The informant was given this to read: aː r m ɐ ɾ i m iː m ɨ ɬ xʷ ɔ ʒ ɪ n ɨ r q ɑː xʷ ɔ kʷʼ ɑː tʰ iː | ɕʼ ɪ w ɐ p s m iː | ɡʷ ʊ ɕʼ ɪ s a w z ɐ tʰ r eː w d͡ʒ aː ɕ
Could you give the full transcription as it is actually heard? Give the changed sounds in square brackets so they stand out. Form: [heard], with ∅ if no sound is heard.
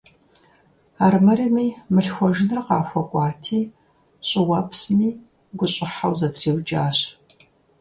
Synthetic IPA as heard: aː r m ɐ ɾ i m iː m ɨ ɬ xʷ ɔ ʒ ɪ n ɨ r q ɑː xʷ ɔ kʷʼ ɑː tʰ iː | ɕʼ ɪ w ɐ p s m iː | ɡʷ ʊ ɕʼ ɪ [ħ] a w z ɐ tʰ r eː w d͡ʒ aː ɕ